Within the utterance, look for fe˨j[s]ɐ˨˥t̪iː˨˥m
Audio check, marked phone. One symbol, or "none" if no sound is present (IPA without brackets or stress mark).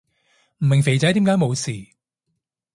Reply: t͡s